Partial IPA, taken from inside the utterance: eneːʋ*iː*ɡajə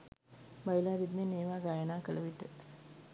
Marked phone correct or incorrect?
incorrect